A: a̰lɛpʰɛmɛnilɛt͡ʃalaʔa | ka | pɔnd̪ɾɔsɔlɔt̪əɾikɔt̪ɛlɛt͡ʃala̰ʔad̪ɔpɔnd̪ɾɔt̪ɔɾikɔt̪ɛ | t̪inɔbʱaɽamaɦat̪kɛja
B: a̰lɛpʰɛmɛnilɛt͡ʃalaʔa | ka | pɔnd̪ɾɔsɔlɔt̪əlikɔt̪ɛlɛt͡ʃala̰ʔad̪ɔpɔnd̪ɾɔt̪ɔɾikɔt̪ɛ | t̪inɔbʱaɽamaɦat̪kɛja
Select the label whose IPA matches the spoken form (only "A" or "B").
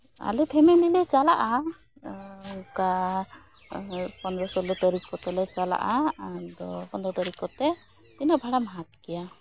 A